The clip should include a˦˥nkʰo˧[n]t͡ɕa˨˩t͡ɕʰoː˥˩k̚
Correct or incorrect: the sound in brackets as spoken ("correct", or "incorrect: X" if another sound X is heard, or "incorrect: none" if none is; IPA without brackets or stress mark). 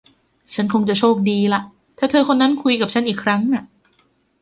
incorrect: ŋ